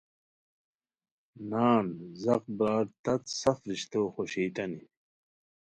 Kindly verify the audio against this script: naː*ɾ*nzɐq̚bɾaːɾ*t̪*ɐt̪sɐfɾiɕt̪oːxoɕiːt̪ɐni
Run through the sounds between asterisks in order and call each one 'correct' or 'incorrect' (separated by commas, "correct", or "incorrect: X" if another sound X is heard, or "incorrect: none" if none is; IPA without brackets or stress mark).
incorrect: none, correct